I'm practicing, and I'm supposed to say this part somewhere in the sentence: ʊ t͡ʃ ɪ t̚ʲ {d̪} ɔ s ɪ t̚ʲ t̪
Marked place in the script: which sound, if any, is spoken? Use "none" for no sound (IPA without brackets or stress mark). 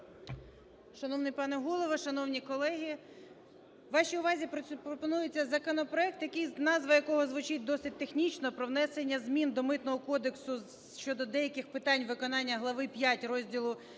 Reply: d̪